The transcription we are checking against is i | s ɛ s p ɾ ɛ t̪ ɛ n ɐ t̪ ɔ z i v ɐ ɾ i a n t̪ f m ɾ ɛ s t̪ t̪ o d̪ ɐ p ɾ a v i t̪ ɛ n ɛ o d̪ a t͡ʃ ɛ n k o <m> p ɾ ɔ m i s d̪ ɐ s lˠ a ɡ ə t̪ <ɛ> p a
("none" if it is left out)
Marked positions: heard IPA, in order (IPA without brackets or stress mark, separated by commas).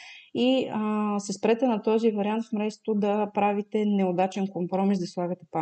m, ɛ